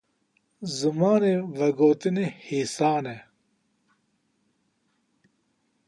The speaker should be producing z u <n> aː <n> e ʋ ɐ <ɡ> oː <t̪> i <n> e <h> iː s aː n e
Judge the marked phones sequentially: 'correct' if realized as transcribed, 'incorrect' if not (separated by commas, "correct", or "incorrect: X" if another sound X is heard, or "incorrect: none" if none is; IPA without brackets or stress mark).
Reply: incorrect: m, correct, correct, correct, correct, correct